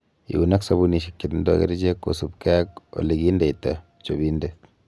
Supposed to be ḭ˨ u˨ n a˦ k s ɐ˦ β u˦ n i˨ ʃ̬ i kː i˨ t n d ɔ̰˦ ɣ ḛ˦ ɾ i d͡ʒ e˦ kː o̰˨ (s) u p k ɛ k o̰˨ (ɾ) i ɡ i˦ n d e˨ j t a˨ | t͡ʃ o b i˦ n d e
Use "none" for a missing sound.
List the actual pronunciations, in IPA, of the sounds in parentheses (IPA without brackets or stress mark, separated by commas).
s, l